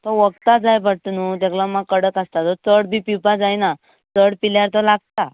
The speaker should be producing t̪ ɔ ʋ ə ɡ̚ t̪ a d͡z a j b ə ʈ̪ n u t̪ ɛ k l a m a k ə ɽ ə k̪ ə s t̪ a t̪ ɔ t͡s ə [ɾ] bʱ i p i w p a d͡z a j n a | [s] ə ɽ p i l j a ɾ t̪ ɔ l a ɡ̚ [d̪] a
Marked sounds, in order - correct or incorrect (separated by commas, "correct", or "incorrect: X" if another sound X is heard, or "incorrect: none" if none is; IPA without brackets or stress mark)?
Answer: incorrect: ɽ, incorrect: t͡s, incorrect: t̪